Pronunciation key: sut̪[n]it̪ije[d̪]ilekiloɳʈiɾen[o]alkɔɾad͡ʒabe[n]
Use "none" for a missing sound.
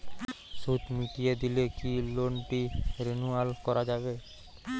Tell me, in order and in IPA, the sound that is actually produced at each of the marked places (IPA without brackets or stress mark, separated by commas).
m, d̪, u, none